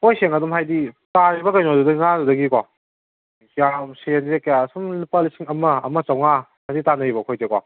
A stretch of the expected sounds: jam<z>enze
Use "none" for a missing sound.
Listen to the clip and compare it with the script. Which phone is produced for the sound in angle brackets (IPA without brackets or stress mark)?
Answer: s